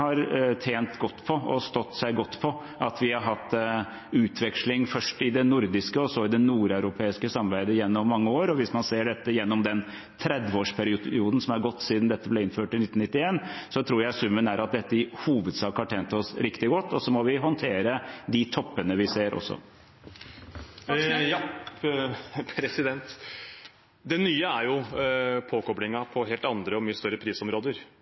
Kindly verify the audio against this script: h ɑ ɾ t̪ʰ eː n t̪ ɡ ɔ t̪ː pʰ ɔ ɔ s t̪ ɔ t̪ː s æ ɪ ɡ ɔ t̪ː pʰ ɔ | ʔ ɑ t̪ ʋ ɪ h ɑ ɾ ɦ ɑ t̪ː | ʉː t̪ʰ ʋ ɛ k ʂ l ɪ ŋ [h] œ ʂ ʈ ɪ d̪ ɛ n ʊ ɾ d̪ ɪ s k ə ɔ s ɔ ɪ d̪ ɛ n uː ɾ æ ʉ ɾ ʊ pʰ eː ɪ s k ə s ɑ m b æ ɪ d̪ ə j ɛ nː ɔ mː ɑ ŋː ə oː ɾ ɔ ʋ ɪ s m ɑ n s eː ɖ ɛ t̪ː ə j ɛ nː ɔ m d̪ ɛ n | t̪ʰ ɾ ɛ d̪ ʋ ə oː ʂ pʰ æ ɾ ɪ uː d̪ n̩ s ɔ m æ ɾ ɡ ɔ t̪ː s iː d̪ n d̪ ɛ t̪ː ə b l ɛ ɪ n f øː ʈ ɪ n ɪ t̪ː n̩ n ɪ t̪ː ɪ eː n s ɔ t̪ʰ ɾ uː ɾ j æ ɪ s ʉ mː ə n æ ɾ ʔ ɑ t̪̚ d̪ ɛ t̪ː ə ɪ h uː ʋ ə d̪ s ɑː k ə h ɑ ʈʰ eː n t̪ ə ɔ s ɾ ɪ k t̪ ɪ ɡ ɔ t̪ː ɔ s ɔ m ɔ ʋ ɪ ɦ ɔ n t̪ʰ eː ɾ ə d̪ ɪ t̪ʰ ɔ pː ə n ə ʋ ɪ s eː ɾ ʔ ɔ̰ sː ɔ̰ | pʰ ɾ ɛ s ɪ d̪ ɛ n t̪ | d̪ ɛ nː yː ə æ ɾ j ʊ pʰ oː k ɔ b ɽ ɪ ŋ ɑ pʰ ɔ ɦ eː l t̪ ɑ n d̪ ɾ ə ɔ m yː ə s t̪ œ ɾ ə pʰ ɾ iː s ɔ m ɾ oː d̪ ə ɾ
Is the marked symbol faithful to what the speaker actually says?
no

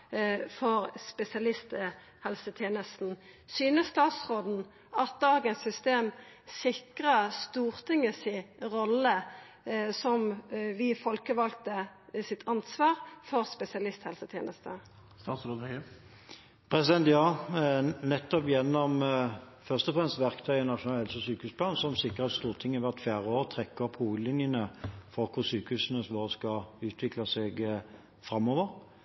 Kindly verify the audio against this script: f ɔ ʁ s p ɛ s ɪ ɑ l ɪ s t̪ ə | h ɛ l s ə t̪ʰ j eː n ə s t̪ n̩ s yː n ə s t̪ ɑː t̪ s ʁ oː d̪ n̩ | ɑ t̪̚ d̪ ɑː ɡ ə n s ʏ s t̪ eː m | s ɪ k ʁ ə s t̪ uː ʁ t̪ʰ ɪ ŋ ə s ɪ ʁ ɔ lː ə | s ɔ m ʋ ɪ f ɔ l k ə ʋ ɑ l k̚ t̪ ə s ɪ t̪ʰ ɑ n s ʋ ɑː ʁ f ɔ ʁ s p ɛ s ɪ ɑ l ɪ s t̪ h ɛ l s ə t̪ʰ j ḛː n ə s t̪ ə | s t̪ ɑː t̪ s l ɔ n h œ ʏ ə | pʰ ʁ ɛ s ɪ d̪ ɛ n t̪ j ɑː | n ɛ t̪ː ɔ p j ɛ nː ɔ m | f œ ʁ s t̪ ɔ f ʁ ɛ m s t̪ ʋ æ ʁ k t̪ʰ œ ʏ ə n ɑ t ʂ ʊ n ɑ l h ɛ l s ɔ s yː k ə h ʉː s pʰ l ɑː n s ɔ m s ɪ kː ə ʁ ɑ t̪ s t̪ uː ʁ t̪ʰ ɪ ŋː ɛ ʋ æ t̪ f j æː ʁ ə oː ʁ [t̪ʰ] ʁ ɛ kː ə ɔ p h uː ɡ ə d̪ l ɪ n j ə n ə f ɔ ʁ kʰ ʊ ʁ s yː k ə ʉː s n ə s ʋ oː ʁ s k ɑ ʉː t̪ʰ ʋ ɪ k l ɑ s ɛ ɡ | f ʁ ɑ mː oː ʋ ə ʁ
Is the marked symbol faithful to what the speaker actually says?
yes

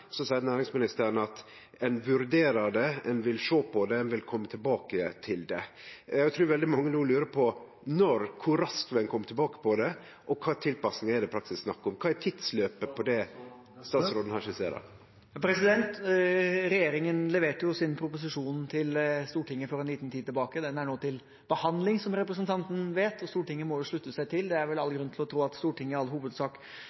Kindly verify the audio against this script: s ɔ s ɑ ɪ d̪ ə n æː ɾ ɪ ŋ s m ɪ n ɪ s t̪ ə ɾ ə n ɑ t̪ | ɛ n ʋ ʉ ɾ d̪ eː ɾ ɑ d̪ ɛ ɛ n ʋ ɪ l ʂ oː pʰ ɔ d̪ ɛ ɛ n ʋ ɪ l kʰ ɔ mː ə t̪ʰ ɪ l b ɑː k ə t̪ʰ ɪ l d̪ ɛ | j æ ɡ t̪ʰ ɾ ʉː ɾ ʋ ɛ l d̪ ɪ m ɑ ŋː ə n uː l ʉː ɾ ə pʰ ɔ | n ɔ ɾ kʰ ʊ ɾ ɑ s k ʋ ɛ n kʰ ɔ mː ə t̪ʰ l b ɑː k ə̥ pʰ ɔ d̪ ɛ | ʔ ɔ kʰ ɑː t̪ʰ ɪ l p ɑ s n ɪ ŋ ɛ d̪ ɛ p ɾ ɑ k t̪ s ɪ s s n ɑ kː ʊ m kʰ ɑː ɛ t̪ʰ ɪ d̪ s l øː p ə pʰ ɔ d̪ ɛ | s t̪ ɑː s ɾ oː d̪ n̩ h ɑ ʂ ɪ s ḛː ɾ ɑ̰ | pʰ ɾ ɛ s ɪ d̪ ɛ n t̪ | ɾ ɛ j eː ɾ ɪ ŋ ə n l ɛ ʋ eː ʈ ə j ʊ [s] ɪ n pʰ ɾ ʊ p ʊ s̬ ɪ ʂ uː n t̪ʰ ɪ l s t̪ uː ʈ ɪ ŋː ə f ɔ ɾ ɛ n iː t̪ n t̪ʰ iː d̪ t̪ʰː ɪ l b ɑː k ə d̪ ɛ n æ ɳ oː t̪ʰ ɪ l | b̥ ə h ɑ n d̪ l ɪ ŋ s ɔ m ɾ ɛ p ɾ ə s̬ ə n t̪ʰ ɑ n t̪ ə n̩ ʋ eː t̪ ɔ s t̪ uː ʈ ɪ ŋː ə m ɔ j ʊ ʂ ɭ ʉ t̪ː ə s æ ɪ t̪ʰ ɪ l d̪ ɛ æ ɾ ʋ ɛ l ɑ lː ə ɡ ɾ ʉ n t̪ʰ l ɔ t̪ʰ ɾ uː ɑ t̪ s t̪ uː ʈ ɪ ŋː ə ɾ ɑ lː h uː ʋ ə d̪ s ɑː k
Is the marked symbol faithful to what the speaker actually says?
yes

